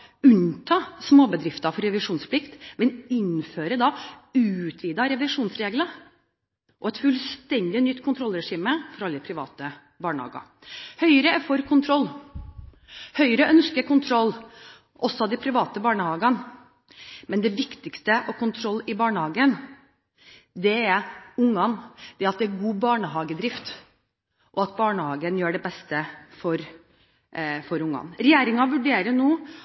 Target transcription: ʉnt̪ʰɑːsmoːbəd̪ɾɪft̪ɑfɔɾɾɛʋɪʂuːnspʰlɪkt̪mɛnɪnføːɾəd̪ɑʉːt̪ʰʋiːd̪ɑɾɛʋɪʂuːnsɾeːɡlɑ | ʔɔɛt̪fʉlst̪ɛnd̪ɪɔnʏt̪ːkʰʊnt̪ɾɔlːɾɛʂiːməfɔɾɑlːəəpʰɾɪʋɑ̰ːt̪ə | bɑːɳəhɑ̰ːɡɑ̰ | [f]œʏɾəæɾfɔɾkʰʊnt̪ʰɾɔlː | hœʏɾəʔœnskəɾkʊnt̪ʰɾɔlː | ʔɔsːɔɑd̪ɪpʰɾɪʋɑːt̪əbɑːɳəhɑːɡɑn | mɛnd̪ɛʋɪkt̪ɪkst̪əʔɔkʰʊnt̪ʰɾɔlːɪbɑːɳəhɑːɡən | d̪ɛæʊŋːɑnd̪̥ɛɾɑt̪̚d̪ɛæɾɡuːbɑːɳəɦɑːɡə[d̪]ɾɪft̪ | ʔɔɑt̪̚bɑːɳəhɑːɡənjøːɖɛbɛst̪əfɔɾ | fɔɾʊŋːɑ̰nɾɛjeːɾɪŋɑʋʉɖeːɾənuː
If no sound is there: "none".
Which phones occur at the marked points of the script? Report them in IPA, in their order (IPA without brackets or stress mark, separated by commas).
h, d̪